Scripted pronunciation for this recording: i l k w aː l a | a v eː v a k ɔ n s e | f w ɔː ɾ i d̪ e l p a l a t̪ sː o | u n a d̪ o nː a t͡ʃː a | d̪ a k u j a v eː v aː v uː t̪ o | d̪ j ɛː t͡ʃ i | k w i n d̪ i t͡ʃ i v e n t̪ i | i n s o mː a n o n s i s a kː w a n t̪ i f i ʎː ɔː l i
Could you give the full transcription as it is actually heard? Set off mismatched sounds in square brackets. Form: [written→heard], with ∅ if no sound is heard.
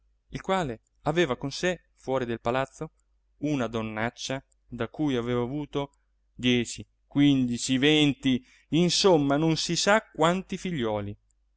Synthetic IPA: i l k w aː l [a→e] | a v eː v a k [ɔ→o] n s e | f w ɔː ɾ i d̪ e l p a l a t̪ sː o | u n a d̪ o nː a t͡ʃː a | d̪ a k u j a v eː v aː v uː t̪ o | d̪ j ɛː t͡ʃ i | k w i n d̪ i t͡ʃ i v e n t̪ i | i n s o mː a n o n s i s a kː w a n t̪ i f i ʎː ɔː l i

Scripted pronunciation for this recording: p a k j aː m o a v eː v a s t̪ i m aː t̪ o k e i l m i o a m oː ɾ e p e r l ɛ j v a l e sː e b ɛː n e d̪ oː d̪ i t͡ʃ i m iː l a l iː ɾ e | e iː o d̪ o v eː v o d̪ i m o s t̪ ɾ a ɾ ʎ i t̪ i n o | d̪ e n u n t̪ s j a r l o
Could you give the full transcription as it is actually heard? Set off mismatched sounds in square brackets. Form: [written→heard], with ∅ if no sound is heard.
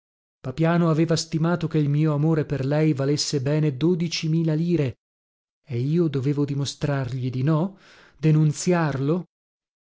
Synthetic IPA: p a [k→p] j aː [m→n] o a v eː v a s t̪ i m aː t̪ o k e i l m [i→iː] o a m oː ɾ e p e r l ɛ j v a l e sː e b ɛː n e d̪ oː d̪ i t͡ʃ i m iː l a l iː ɾ e | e iː o d̪ o v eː v o d̪ i m o s t̪ ɾ a [ɾ→r] ʎ i [t̪→d̪] i n [o→ɔ] | d̪ e n u n t̪ s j a r l o

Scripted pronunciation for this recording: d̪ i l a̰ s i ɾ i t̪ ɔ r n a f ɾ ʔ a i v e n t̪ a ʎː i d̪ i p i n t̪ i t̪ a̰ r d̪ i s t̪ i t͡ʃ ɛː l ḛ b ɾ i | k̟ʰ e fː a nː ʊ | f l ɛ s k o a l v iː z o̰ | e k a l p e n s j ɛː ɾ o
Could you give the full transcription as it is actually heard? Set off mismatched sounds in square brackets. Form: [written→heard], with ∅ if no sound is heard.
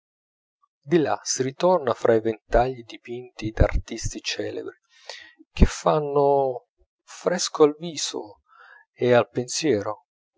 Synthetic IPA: d̪ i l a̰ s i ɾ i t̪ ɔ r n a f ɾ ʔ a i v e n t̪ a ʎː i d̪ i p i n t̪ i [t̪→d̪] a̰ r [d̪→t̪] i s t̪ i t͡ʃ ɛː l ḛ b ɾ i | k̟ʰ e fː a nː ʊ | f [l→ɾ] ɛ s k o a l v iː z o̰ | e [k→∅] a l p e n s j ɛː ɾ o

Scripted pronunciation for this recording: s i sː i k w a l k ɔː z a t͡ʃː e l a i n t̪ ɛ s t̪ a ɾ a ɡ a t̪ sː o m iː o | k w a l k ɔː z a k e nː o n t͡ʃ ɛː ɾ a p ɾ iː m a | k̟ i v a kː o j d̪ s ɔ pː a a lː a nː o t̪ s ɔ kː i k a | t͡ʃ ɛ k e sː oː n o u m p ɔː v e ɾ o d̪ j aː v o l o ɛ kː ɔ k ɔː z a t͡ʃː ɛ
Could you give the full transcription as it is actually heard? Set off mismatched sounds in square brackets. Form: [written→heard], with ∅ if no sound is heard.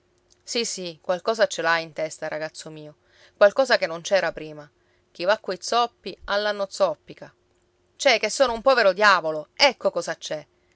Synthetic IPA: s i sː i k w a l k ɔː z a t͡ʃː e l a i n t̪ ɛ s t̪ a ɾ a ɡ a t̪ sː o m iː o | k w a l k ɔː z a k e nː o n t͡ʃ ɛː ɾ a p ɾ iː m a | k̟ i v a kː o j [d̪→t̪] s ɔ pː [a→i] a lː a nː o t̪ s ɔ [kː→pː] i k a | t͡ʃ ɛ k e sː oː n o u m p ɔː v e ɾ o d̪ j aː v o l o ɛ kː [ɔ→o] k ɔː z a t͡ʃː ɛ

